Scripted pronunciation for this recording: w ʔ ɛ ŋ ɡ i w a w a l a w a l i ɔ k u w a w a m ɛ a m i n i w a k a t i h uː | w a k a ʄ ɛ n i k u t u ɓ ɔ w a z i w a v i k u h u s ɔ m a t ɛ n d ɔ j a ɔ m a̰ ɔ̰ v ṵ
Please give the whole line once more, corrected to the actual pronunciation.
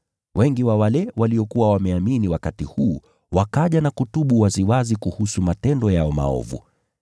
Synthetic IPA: w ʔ ɛ ŋ ɡ i w a w a l ɛ w a l i ɔ k u w a w a m ɛ a m i n i w a k a t i h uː | w a k a ʄ a n a k u t u ɓ u w a z i w a z i k u h u s u m a t ɛ n d ɔ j a ɔ m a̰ ɔ̰ v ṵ